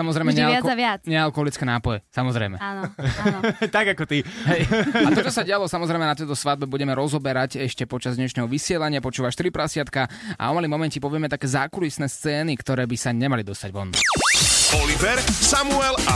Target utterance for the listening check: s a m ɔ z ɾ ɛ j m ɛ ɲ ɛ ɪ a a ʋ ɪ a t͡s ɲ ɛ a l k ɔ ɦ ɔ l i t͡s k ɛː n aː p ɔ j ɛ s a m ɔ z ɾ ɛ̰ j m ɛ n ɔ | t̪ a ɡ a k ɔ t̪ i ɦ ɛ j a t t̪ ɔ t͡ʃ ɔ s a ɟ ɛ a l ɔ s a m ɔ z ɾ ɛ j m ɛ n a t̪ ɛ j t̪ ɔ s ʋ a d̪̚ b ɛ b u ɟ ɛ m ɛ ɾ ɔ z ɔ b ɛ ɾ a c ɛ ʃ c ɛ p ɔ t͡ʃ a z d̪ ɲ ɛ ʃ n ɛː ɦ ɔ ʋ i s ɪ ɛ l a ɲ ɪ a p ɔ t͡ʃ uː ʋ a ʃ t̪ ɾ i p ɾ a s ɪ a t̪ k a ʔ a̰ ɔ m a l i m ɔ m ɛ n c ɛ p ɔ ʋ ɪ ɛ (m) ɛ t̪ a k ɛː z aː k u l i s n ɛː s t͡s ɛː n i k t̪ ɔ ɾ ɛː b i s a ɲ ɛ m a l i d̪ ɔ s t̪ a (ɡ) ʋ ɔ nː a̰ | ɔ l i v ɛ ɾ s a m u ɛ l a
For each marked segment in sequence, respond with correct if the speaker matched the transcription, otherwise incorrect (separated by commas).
correct, incorrect